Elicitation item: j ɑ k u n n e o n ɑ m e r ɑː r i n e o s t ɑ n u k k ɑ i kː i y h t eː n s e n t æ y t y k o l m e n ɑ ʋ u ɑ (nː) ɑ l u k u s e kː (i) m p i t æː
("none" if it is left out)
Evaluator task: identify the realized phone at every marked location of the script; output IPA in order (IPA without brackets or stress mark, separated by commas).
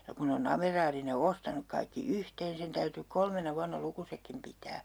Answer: nː, i